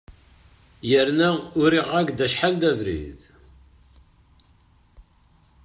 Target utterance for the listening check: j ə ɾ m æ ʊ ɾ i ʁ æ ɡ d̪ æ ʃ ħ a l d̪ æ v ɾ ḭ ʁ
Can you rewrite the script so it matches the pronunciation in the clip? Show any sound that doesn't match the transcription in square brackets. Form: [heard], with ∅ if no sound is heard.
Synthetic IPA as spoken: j ə ɾ [n] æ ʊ ɾ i ʁ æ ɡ d̪ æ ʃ ħ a l d̪ æ v ɾ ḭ [ð]